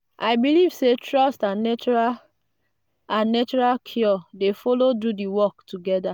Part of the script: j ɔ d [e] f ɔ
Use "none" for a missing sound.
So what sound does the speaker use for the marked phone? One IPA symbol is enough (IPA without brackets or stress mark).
e